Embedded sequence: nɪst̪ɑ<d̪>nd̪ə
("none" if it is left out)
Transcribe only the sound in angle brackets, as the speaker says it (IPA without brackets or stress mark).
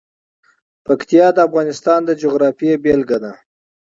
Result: none